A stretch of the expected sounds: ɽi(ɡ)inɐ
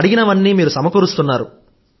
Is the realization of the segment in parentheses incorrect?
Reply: no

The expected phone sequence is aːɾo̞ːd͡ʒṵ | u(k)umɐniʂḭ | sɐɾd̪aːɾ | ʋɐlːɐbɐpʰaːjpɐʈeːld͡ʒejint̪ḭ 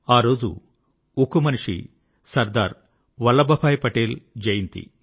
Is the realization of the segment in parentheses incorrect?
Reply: no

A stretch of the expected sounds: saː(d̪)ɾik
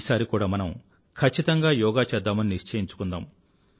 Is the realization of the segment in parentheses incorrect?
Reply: yes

